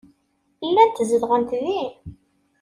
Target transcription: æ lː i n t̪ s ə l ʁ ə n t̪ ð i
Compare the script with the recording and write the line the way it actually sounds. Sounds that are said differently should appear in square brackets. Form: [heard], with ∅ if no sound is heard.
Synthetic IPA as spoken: [i] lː [æ] n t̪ [z] ə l ʁ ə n t̪ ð i